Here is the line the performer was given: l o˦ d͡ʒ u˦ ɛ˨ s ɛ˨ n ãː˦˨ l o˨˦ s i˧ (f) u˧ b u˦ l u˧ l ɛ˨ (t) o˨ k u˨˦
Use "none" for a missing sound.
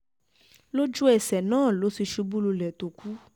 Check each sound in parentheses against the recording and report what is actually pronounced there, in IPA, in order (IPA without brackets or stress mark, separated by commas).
ʃ, t